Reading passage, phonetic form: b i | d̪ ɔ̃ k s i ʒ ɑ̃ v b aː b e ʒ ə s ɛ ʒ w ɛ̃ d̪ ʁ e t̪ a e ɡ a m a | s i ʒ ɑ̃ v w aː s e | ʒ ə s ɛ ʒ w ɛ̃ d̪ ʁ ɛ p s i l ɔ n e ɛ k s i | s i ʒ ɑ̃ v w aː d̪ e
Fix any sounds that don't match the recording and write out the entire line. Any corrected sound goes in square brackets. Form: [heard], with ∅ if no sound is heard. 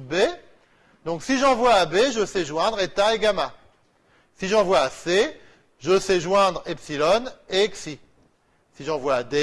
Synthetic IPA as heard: b [e] | d̪ ɔ̃ k s i ʒ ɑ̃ v [w] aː b e ʒ ə s ɛ ʒ w ɛ̃ d̪ ʁ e t̪ a e ɡ a m a | s i ʒ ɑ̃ v w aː s e | ʒ ə s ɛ ʒ w ɛ̃ d̪ ʁ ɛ p s i l ɔ n e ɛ k s i | s i ʒ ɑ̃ v w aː d̪ e

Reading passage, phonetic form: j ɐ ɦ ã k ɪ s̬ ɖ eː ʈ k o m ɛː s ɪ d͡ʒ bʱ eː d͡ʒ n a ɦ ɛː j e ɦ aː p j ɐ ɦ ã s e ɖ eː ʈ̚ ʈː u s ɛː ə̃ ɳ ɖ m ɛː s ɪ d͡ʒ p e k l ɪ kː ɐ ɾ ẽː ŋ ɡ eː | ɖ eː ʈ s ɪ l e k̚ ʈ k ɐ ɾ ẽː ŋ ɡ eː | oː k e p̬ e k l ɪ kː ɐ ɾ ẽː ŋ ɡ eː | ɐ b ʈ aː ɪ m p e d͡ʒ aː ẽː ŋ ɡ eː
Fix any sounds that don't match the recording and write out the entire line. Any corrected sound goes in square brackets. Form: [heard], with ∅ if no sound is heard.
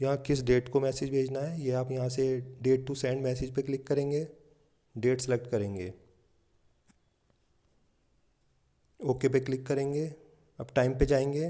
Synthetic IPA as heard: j ɐ ɦ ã k ɪ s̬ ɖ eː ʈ k o m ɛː s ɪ d͡ʒ bʱ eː d͡ʒ n a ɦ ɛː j e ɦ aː p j ɐ ɦ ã s e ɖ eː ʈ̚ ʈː u s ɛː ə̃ ɳ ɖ m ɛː s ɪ d͡ʒ p e k l ɪ kː ɐ ɾ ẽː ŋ ɡ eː | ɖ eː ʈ s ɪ l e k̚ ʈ k ɐ ɾ ẽː ŋ ɡ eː | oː k e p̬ e k l ɪ kː ɐ ɾ ẽː ŋ ɡ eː | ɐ b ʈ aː ɪ m p e d͡ʒ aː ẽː ŋ ɡ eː

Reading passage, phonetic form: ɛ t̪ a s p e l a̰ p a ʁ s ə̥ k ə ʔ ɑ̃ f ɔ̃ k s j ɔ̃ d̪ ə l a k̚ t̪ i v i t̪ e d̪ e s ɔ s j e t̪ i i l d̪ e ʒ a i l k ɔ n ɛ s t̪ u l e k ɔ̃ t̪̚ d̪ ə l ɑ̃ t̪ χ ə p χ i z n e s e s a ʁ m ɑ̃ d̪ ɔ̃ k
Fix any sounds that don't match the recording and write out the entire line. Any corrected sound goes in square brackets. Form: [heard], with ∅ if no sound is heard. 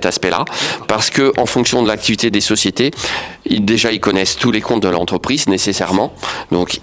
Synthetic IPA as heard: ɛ t̪ a s p [ɛ] l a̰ p a ʁ s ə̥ k ə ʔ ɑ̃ f ɔ̃ k s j ɔ̃ d̪ ə l a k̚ t̪ i v i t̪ e d̪ e s ɔ s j e t̪ [e] i l d̪ e ʒ a i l k ɔ n ɛ s t̪ u l e k ɔ̃ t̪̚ d̪ ə l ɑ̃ t̪ χ ə p χ i z n e s e s [ɛ] ʁ m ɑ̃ d̪ ɔ̃ k

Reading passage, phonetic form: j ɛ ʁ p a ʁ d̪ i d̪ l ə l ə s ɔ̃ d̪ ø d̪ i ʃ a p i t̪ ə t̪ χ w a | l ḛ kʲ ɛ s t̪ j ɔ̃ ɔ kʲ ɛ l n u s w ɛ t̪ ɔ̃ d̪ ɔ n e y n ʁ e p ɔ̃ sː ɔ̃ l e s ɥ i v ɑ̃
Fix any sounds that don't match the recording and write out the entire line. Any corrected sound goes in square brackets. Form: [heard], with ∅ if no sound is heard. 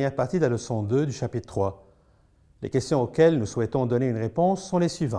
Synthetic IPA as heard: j ɛ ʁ p a ʁ [t̪] i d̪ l [a] l ə s ɔ̃ d̪ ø d̪ [y] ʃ a p i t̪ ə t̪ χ w a | l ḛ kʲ ɛ s t̪ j ɔ̃ [o] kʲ ɛ l n u s w ɛ t̪ ɔ̃ d̪ ɔ n e y n ʁ e p ɔ̃ sː ɔ̃ l e s ɥ i v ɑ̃

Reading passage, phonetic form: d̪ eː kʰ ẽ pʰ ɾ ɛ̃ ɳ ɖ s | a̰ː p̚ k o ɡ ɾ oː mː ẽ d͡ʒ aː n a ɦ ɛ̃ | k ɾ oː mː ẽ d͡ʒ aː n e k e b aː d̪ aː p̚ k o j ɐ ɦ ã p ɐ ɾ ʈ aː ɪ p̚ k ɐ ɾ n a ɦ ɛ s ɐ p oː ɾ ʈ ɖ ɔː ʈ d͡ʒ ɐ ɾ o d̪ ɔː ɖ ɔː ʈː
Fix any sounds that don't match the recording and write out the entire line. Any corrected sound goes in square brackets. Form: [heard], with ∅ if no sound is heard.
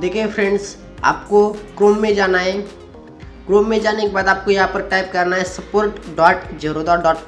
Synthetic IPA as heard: d̪ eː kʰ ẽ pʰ ɾ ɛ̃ ɳ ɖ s | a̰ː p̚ k o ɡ ɾ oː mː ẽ d͡ʒ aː n a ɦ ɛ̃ | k ɾ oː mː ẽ d͡ʒ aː n e k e b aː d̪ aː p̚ k o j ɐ ɦ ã p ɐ ɾ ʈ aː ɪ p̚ k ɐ ɾ n a ɦ ɛ s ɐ p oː ɾ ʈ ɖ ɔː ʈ d͡ʒ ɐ ɾ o d̪ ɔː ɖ ɔː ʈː

